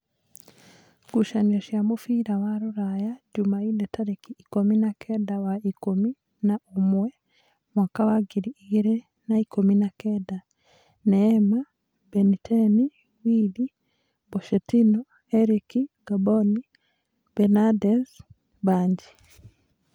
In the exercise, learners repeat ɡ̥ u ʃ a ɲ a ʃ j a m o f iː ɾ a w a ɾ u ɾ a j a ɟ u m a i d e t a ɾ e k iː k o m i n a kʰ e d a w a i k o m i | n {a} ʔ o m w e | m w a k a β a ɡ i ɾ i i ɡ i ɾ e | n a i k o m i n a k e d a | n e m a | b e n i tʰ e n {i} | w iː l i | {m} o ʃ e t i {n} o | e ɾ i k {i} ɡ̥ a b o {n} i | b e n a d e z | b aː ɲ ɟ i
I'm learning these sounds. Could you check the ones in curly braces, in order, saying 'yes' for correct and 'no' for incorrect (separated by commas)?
yes, yes, no, yes, yes, yes